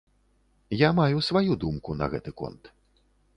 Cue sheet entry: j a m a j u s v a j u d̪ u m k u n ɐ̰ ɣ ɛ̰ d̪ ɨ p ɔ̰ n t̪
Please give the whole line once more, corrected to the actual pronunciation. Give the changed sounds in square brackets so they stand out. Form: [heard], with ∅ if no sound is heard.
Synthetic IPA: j a m a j u s v a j u d̪ u m k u n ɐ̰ ɣ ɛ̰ [t̪] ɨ [k] ɔ̰ n t̪